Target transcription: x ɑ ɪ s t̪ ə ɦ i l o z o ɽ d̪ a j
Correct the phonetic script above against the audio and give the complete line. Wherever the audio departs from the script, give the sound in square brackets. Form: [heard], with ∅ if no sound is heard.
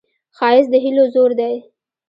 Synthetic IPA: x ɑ ɪ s [d̪] ə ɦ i l o z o [ɾ] d̪ a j

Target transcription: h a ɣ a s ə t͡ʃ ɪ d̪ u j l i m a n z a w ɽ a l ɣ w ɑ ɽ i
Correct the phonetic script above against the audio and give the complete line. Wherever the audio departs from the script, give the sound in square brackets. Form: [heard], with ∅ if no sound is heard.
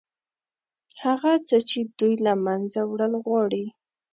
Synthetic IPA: h a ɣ a [t͡s] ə t͡ʃ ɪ d̪ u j l [a] m a n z a w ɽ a l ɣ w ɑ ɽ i

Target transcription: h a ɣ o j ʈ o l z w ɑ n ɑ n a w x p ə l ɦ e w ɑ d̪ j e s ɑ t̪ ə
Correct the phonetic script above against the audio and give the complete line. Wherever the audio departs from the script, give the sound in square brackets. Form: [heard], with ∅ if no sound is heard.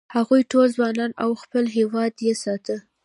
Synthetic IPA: h a ɣ [u] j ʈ o l z w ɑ n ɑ n a w x p ə l ɦ e w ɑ d̪ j e s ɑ t̪ ə

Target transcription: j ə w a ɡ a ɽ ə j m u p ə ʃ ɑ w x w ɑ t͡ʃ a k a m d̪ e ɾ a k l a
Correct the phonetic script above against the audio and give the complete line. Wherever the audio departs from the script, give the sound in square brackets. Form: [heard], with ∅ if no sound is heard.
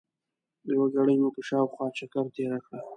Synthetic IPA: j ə w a ɡ a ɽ ə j m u p ə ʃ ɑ w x w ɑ t͡ʃ a k a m [t̪] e ɾ a k [ɽ] a

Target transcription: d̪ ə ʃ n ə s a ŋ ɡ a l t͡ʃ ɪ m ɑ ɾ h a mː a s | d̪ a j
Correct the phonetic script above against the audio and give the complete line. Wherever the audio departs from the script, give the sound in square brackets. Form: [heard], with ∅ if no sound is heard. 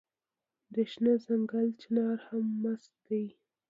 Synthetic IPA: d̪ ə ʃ n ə [z] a ŋ ɡ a l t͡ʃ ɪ [n] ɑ ɾ h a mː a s | d̪ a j

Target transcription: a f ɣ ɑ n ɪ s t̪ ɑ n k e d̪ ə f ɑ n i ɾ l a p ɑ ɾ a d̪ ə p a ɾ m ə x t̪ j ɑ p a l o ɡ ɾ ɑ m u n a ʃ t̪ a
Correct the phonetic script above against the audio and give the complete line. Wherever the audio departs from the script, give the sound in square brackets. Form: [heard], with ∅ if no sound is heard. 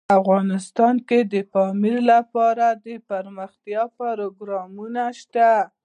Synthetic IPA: a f ɣ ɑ n ɪ s t̪ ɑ n k e d̪ ə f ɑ [m] i ɾ l a p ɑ ɾ a d̪ ə p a ɾ m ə x t̪ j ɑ p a [ɾ] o ɡ ɾ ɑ m u n a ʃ t̪ a

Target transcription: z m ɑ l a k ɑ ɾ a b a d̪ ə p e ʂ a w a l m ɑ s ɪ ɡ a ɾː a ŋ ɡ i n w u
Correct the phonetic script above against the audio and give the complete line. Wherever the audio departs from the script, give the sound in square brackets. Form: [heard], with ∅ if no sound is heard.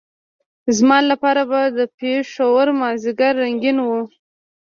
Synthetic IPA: z m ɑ l a [p] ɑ ɾ a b a d̪ ə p e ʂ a w a [ɾ] m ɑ [z] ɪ ɡ a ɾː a ŋ ɡ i n w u

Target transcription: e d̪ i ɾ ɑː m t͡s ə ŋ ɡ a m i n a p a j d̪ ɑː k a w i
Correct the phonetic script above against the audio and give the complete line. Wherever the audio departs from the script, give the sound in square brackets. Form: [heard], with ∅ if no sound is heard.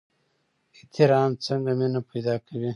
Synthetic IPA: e [t̪] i ɾ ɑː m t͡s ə ŋ ɡ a m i n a p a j d̪ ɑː k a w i

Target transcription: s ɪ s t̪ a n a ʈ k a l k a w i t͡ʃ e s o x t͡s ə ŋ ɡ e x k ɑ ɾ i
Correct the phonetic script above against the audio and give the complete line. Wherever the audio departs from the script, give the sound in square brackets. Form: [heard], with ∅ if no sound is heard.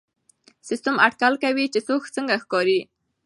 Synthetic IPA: s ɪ s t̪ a [m] a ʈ k a l k a w i t͡ʃ e s o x t͡s ə ŋ ɡ [a] x k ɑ ɾ i

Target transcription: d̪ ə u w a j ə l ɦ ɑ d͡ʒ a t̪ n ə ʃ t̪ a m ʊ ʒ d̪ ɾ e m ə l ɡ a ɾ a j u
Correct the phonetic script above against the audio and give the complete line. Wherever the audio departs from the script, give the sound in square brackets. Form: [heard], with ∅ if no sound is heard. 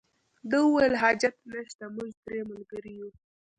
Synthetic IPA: d̪ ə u w a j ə l ɦ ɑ d͡ʒ a t̪ n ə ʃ t̪ a m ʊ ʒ d̪ ɾ e m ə l ɡ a ɾ [i] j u

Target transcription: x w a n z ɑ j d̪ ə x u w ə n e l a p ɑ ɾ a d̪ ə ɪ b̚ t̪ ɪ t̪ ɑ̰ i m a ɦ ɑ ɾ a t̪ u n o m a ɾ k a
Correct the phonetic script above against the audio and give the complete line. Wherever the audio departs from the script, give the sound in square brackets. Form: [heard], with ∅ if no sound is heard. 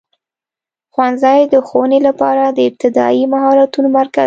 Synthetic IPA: x w a n z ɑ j d̪ ə x [o] w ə n e l a p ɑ ɾ a d̪ ə ɪ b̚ t̪ ɪ [d̪] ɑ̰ i m a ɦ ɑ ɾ a t̪ u n o m a ɾ k a

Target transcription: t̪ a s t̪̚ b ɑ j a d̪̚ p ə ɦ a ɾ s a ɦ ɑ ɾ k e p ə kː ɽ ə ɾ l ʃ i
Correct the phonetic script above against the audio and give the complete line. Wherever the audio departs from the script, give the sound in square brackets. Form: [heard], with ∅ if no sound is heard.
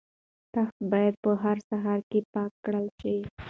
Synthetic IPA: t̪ a [x] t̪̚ b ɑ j a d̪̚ p ə ɦ a ɾ s a ɦ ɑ ɾ k e p [ɑ] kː ɽ ə [∅] l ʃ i

